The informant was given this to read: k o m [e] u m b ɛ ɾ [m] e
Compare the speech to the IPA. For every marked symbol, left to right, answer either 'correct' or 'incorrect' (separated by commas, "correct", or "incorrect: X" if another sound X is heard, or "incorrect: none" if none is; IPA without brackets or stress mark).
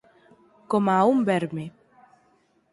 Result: incorrect: a, correct